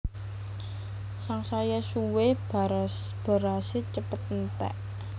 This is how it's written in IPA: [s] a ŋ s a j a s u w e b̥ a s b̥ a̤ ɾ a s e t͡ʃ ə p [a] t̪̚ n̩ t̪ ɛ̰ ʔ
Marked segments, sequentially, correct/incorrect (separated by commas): correct, incorrect